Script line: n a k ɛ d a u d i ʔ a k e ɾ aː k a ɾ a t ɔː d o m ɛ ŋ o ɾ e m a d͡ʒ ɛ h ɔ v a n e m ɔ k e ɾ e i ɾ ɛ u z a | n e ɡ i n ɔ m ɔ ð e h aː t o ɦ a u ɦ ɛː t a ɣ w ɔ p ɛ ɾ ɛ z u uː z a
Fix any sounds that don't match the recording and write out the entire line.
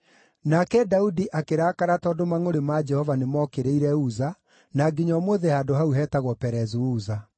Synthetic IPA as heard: n a k ɛ d a u d i ʔ a k e ɾ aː k a ɾ a t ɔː d o m a ŋ o ɾ e m a d͡ʒ ɛ h ɔ v a n e m ɔ k e ɾ e i ɾ ɛ u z a | n a ɡ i ɲ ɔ m o ð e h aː d o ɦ a u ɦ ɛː t a ɣ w ɔ p ɛ ɾ ɛ z u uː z a